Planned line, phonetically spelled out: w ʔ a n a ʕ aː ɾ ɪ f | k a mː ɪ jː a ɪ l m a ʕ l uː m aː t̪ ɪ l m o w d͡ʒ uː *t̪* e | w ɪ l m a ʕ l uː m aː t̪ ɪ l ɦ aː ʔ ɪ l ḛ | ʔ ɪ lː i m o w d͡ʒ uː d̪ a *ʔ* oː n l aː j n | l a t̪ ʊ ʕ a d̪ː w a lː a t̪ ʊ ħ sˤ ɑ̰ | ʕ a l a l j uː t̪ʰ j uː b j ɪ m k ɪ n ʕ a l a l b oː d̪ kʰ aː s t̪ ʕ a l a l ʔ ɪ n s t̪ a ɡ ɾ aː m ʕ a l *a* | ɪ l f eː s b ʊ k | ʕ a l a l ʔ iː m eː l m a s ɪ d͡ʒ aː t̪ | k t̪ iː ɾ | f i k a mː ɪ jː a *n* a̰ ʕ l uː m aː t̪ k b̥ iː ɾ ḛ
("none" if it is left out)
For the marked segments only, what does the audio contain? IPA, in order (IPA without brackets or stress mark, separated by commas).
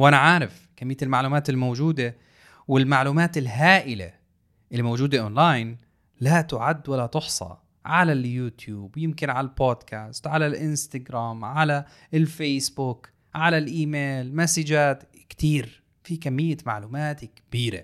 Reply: d̪, ʔ, a, m